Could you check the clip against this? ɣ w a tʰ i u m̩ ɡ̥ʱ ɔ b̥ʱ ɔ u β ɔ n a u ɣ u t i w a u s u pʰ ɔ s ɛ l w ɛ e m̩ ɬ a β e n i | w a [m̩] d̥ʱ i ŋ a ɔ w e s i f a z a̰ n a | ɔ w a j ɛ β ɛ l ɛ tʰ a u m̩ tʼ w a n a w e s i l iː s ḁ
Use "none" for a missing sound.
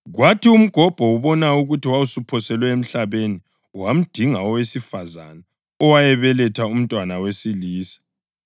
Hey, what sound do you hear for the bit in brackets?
m̩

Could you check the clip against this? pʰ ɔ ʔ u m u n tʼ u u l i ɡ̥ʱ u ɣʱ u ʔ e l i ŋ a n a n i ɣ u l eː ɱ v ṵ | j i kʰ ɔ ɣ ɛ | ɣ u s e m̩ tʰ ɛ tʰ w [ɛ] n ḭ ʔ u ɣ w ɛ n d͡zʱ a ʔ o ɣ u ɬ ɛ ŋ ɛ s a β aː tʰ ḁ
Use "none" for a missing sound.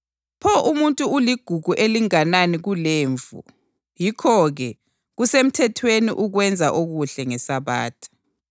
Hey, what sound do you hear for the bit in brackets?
e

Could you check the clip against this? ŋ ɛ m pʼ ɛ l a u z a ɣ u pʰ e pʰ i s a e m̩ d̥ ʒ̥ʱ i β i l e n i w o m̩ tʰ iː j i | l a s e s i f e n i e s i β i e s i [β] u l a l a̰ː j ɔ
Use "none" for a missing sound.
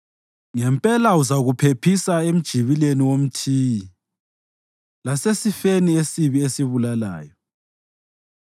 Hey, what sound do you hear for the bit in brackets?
β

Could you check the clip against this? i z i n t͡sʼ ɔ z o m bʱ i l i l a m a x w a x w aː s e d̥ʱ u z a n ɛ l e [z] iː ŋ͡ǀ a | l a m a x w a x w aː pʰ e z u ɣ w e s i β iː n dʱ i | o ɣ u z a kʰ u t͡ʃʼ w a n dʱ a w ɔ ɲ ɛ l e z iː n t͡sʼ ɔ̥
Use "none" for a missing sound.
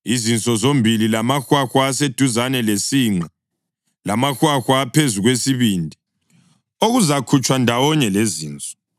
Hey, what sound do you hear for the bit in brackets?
s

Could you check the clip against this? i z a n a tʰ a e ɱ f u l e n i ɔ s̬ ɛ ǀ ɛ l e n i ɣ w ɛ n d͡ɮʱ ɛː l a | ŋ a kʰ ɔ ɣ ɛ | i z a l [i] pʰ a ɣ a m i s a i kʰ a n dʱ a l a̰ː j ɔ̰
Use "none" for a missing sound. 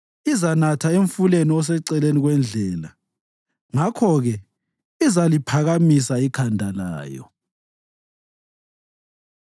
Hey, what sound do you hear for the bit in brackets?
i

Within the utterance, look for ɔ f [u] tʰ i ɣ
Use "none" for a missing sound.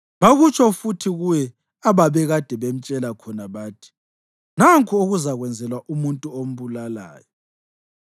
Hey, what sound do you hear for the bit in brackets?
u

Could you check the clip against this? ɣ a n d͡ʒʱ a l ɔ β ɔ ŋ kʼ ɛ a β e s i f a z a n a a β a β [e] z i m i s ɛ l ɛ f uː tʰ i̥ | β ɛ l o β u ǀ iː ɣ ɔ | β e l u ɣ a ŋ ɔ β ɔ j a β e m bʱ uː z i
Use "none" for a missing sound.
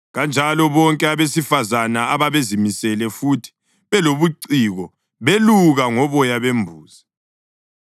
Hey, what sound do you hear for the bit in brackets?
e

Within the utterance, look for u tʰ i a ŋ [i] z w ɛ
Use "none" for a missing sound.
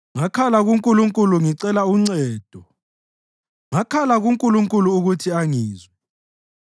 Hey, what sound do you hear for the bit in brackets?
iː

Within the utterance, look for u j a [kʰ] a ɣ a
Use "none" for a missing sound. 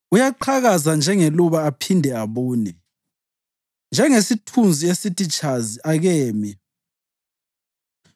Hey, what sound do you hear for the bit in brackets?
ǃʰ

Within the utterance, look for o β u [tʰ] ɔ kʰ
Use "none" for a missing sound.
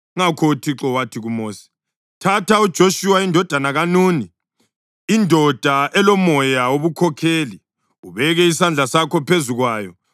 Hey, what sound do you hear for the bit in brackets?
kʰ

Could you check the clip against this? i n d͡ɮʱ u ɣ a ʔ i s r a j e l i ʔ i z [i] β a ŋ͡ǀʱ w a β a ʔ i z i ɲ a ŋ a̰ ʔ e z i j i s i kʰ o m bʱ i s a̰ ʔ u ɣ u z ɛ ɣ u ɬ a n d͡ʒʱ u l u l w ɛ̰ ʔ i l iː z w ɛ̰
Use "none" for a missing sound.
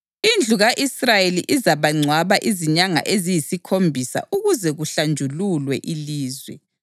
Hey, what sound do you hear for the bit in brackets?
a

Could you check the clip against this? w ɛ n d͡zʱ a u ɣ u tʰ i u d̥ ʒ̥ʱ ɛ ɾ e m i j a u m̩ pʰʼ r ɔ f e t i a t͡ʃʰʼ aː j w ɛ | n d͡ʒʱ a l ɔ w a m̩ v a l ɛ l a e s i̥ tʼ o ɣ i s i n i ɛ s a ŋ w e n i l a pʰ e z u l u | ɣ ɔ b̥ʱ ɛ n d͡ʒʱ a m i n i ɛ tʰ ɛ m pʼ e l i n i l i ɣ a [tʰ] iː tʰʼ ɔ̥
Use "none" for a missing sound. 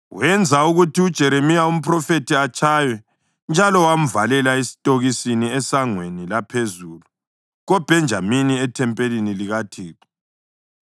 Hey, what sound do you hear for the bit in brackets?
tʰ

